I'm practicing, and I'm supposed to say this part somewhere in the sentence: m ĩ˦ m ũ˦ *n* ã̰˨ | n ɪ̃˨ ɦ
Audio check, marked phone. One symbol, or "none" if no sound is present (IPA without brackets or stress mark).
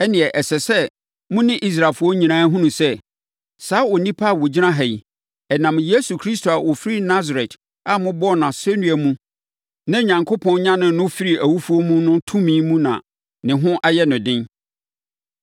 n